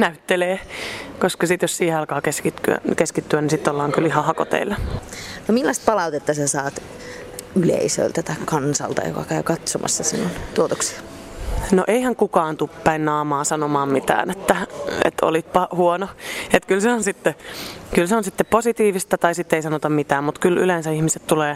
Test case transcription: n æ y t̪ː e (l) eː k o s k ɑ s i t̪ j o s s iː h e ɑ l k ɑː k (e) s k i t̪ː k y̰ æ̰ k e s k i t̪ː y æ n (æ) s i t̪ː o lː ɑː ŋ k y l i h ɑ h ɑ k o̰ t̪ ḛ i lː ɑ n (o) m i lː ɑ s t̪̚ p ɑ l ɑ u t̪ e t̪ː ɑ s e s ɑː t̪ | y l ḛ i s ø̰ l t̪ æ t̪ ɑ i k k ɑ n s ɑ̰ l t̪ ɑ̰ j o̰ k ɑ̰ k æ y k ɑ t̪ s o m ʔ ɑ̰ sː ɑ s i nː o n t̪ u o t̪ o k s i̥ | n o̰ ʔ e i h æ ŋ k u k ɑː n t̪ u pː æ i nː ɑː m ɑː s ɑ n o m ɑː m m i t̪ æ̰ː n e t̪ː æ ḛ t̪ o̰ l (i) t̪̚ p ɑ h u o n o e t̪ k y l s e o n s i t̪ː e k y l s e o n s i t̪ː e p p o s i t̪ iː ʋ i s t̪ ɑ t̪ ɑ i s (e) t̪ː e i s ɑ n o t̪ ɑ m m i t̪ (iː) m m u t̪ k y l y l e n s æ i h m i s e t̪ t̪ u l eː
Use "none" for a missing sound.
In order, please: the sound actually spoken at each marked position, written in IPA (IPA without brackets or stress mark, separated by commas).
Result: l, e, i, o, i, i, æː